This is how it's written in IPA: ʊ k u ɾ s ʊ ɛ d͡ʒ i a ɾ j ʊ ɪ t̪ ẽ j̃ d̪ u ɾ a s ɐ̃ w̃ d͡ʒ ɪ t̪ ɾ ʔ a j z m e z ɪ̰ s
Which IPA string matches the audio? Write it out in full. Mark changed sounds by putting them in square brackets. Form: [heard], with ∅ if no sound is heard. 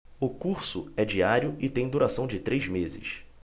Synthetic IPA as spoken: ʊ k u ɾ s ʊ ɛ d͡ʒ i a ɾ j ʊ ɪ t̪ ẽ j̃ d̪ u ɾ a s ɐ̃ w̃ d͡ʒ ɪ t̪ ɾ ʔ [e] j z m e z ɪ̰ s